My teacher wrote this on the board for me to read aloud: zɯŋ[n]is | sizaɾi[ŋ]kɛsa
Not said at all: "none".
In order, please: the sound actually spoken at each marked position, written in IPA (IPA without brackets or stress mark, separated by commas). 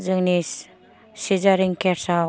n, ŋ